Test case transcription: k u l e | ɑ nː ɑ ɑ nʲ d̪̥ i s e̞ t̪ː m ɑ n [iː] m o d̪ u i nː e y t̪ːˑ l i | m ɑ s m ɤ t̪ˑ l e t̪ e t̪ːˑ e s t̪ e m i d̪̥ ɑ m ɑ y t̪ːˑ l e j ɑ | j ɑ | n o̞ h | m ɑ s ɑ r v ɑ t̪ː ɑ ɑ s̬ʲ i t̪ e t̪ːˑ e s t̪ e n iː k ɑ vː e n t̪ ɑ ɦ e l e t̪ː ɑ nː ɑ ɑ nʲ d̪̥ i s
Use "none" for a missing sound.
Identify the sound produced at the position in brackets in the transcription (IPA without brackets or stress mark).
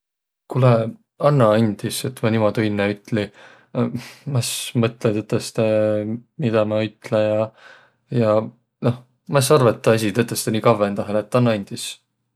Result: i